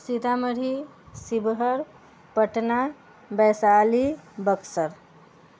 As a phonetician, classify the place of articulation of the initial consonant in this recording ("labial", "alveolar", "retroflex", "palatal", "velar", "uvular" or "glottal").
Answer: alveolar